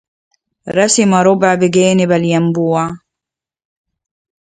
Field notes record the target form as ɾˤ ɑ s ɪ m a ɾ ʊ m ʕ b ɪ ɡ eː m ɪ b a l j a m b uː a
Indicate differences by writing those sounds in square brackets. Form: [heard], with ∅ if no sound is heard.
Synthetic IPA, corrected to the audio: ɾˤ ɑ s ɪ m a ɾ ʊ [b] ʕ b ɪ ɡ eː [n] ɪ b a l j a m b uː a